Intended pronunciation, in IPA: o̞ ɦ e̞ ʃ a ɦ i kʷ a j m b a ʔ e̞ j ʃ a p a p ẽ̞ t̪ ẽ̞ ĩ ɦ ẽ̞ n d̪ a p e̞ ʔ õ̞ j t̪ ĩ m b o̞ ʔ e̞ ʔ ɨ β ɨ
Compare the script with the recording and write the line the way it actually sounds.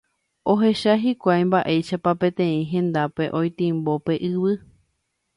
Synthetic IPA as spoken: o̞ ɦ e̞ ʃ a ɦ i kʷ a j m b a ʔ e̞ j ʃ a p a p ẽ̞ t̪ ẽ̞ ĩ ɦ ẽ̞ n d̪ a p e̞ ʔ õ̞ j t̪ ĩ m b o̞ p e̞ ʔ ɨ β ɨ